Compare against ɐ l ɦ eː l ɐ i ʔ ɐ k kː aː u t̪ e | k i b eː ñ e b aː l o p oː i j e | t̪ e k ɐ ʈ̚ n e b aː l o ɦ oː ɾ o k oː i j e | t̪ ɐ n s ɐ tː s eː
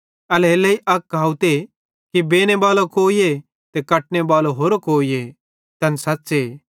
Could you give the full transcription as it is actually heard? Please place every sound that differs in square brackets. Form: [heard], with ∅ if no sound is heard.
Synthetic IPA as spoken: ɐ l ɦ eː l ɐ i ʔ ɐ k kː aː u t̪ e | k i b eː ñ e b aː l o [k] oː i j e | t̪ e k ɐ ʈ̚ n e b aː l o ɦ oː ɾ o k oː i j e | t̪ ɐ n s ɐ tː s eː